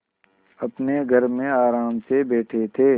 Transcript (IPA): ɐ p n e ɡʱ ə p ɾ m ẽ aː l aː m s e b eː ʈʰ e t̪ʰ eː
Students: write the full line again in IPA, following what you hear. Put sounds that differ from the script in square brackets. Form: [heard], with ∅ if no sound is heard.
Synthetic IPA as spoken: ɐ p n e ɡʱ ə [∅] ɾ m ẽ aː [ɾ] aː m s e b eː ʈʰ e t̪ʰ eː